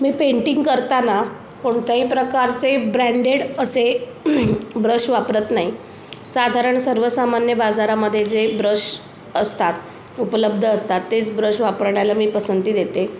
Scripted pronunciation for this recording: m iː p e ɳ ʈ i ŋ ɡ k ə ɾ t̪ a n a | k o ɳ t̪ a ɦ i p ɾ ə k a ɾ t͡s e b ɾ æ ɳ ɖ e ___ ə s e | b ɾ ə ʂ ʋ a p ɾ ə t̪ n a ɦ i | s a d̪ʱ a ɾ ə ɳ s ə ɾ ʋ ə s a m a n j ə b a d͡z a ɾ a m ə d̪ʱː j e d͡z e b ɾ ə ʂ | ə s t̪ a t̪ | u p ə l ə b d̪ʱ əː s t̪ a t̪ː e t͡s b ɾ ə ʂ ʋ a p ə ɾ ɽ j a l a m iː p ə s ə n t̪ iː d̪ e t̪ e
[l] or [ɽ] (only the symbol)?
ɽ